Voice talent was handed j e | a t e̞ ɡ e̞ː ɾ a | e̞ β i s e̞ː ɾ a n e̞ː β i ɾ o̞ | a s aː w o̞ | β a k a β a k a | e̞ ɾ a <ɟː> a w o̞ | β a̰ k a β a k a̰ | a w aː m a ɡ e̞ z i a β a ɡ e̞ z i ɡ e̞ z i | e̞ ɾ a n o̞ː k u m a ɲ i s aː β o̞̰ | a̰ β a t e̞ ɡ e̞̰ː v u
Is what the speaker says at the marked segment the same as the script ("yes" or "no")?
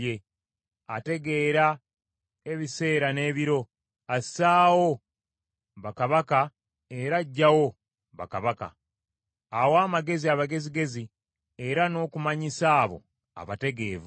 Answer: yes